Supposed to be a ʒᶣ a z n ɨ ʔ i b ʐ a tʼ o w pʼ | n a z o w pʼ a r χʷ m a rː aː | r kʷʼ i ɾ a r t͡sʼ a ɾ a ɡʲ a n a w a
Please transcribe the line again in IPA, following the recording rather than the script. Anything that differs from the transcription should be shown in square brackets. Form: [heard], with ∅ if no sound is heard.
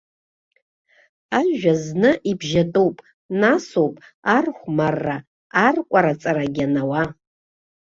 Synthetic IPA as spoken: a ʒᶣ a z n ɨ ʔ i b [ʒ] a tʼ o w pʼ | n a [s] o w pʼ a r χʷ m a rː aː | r kʷʼ [a] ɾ a [∅] t͡sʼ a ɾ a ɡʲ a n a w a